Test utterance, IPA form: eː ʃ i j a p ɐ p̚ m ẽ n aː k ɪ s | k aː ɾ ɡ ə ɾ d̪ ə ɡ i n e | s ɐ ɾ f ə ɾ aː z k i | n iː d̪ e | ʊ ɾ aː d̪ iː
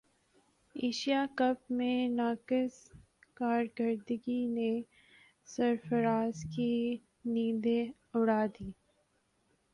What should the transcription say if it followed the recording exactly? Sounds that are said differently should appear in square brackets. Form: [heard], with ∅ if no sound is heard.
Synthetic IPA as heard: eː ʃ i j a [k] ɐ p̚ m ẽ n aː k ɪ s | k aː ɾ ɡ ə ɾ d̪ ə ɡ i n e | s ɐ ɾ f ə ɾ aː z k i | n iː d̪ e | ʊ [ɽ] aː d̪ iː